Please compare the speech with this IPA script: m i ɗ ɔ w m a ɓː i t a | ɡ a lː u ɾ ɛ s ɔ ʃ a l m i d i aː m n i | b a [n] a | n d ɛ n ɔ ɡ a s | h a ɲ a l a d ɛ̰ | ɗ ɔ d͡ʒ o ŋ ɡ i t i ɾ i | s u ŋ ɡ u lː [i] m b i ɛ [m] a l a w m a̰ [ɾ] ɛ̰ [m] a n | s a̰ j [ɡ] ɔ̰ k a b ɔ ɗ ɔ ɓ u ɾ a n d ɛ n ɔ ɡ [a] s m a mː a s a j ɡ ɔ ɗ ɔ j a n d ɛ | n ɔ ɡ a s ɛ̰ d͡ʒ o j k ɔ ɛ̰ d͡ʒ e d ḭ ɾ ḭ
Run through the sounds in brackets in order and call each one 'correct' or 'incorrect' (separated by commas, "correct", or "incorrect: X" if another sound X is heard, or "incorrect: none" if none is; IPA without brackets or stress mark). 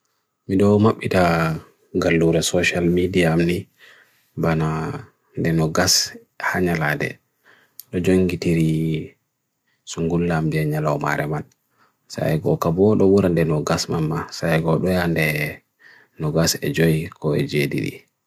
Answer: correct, incorrect: a, incorrect: ɲ, correct, correct, correct, correct